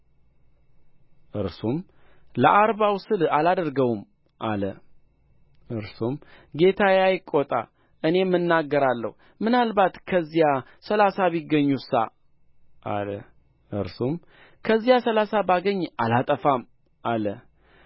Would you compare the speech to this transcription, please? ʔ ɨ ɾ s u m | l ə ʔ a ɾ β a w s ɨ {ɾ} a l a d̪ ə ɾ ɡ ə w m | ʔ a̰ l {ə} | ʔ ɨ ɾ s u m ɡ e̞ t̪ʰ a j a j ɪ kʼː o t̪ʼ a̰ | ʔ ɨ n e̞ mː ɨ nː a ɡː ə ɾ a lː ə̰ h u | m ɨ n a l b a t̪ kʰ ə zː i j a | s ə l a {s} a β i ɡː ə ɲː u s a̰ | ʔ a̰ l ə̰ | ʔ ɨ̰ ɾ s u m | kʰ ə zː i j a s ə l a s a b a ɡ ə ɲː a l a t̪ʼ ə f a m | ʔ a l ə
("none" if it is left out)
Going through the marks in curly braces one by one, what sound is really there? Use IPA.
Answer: l, ə, s

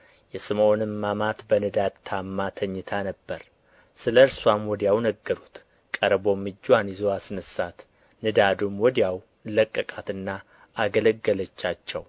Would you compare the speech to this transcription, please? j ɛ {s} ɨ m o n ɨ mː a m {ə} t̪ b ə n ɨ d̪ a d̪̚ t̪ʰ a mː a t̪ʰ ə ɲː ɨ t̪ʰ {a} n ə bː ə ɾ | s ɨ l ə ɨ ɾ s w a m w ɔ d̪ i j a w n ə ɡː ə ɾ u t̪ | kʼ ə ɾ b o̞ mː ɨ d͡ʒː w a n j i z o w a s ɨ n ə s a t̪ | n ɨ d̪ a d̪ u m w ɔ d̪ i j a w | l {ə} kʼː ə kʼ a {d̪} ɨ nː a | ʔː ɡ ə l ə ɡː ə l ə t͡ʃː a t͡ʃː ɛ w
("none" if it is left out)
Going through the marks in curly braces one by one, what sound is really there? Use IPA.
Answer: s, a, a, ə, t̪

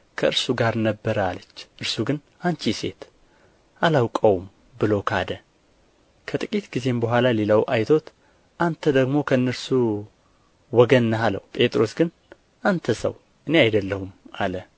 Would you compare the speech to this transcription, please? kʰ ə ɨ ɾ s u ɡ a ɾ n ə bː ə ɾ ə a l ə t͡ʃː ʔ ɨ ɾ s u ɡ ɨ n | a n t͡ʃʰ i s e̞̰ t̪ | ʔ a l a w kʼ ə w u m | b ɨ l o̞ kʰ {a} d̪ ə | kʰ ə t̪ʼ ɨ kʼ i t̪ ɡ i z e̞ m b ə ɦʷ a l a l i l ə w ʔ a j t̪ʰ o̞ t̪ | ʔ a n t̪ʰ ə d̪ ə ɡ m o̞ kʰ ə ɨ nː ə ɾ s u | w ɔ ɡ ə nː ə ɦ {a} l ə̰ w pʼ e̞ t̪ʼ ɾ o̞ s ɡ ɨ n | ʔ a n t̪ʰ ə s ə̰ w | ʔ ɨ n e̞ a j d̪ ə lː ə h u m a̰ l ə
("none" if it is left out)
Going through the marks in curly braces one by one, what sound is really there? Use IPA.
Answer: a, a

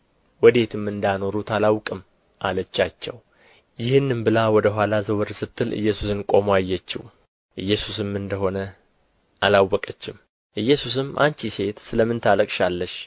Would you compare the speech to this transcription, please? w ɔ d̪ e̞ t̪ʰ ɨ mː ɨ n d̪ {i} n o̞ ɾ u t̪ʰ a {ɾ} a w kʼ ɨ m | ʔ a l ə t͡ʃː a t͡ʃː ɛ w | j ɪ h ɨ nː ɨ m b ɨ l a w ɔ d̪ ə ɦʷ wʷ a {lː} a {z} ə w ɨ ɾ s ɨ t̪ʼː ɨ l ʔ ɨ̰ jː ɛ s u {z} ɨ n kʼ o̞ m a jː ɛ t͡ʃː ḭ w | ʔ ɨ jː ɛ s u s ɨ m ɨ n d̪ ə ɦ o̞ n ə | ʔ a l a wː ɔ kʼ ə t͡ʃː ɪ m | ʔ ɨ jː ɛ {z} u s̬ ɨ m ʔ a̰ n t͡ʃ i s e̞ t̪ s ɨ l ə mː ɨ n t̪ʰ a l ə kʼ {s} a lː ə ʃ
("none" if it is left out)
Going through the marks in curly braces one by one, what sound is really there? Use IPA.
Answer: a, l, l, z, s, s, ʃ

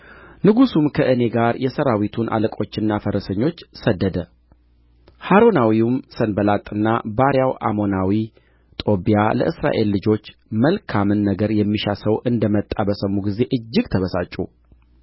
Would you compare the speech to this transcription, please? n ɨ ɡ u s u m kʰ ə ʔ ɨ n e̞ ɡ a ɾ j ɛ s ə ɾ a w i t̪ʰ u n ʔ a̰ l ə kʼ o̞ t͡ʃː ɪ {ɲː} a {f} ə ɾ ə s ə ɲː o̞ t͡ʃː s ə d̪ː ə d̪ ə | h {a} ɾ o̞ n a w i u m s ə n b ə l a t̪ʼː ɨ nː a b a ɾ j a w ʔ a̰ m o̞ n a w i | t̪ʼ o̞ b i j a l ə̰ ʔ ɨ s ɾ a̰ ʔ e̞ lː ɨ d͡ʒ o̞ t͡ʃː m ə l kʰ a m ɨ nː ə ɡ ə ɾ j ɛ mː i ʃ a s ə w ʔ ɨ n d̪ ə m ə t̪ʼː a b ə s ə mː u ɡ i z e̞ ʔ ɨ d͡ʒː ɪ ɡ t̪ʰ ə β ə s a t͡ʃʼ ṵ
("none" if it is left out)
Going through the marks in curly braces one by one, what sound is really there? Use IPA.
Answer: nː, f, a

